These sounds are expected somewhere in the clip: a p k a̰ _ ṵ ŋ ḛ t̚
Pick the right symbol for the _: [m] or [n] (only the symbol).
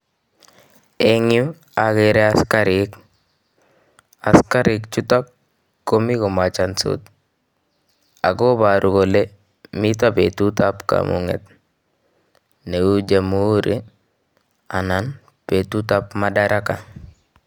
m